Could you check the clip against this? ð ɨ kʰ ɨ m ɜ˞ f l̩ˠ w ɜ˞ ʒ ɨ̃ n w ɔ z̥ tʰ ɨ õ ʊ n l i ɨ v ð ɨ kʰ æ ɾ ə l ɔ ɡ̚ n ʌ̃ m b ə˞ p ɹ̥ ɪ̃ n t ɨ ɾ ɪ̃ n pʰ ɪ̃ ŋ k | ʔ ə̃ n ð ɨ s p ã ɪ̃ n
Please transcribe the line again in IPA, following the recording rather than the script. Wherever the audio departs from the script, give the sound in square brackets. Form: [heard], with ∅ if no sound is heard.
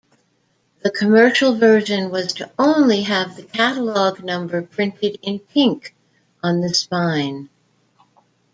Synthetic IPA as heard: ð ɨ kʰ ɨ m ɜ˞ [ʃ] l̩ˠ [v] ɜ˞ ʒ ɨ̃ n w [ʌ] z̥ tʰ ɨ õ [ʊ̃] n l i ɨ v ð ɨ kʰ æ ɾ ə l ɔ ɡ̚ n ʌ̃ m b ə˞ [pʰ] ɹ̥ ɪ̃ n t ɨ ɾ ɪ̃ n pʰ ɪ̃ ŋ k | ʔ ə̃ n ð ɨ s p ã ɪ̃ n